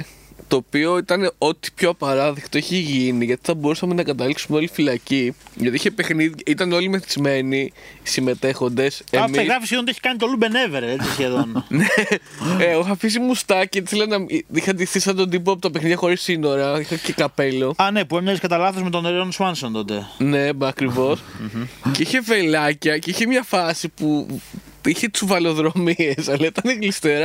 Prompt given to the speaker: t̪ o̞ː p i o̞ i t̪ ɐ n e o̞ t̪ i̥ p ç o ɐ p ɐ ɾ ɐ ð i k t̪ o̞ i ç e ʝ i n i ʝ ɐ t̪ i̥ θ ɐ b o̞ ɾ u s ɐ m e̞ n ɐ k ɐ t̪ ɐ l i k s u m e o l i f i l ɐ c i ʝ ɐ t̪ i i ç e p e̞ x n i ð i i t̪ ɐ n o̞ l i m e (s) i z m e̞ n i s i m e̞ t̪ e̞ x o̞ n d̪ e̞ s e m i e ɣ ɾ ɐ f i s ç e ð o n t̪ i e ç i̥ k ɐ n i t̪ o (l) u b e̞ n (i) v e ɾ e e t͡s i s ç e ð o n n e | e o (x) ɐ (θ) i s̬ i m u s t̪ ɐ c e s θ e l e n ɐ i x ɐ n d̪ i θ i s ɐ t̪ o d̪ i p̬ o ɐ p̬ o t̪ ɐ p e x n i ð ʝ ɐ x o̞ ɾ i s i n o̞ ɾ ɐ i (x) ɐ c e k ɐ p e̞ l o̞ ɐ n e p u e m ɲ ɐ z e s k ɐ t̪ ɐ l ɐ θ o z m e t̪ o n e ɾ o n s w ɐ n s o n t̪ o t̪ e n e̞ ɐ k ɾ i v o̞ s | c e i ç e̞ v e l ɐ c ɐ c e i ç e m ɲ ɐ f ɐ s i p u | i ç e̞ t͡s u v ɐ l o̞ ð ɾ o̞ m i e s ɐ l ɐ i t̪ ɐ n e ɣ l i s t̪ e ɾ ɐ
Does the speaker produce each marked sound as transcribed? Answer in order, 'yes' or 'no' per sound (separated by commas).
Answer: no, yes, no, yes, no, yes